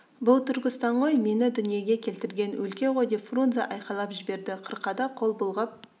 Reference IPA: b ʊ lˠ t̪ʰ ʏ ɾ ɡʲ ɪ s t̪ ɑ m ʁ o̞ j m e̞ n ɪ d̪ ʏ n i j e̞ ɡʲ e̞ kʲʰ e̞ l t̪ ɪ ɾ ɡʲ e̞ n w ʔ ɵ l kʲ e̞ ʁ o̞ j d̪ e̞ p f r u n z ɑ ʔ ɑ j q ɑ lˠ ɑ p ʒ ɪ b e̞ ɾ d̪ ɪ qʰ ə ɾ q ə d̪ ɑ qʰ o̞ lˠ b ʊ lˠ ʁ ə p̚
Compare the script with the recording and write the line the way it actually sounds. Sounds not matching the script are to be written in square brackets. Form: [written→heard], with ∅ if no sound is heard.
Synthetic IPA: b ʊ lˠ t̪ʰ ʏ ɾ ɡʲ ɪ s t̪ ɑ [m→ɴ] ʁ o̞ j m e̞ n ɪ d̪ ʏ n i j e̞ ɡʲ e̞ kʲʰ e̞ l t̪ ɪ ɾ ɡʲ e̞ n w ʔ ɵ l kʲ e̞ ʁ o̞ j d̪ e̞ p f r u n z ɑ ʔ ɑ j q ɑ lˠ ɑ p ʒ ɪ b e̞ ɾ d̪ ɪ qʰ ə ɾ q [ə→ɑ] d̪ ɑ qʰ o̞ lˠ b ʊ lˠ ʁ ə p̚